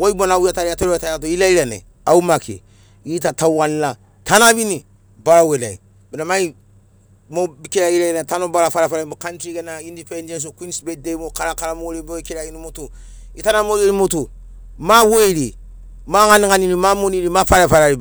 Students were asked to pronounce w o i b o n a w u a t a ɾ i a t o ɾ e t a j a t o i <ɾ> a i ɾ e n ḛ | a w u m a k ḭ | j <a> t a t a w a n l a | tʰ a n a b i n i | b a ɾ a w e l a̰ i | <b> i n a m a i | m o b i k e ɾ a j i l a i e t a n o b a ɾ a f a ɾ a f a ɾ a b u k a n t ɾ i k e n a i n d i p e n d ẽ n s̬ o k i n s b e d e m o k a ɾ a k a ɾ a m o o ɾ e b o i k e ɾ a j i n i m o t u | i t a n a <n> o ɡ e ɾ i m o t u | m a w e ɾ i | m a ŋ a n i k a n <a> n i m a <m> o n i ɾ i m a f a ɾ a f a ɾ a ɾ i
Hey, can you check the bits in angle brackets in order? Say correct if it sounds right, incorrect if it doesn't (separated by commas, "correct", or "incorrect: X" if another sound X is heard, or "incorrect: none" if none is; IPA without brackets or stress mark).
incorrect: l, incorrect: i, correct, incorrect: m, incorrect: i, correct